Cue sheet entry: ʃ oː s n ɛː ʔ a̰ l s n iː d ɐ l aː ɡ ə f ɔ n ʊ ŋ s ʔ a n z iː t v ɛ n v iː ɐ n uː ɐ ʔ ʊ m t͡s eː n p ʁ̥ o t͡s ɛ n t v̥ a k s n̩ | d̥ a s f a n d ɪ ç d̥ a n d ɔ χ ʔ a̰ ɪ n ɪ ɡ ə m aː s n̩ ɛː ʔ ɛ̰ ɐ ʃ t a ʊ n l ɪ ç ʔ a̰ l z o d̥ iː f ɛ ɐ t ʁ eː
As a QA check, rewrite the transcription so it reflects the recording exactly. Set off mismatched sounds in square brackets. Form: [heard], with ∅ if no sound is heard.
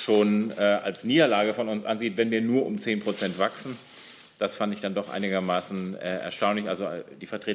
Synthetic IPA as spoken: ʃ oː [∅] n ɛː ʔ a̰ l s n iː d ɐ l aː ɡ ə f ɔ n ʊ [n] s ʔ a n z iː t v ɛ n v iː ɐ n uː ɐ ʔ ʊ m t͡s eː n p ʁ̥ o t͡s ɛ n t v̥ a k s n̩ | d̥ a s f a n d ɪ ç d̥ a n d ɔ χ ʔ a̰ ɪ n ɪ ɡ [ɐ] m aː s n̩ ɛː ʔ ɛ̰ ɐ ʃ t a ʊ n l ɪ ç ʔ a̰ l z o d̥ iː f ɛ ɐ t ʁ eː